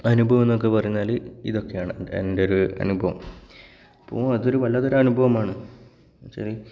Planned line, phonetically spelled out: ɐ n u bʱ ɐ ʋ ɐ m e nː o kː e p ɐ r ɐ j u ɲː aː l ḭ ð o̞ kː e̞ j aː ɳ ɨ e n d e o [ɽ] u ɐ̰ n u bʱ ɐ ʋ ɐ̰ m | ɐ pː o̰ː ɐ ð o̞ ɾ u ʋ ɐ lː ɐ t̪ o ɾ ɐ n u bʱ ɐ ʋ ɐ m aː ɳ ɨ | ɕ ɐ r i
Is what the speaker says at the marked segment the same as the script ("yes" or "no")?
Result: no